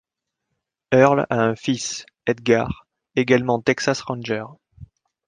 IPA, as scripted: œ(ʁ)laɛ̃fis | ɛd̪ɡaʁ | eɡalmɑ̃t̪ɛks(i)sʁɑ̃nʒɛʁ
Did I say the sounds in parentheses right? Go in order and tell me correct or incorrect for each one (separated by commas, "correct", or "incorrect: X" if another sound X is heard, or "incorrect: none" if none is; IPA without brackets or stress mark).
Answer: correct, incorrect: a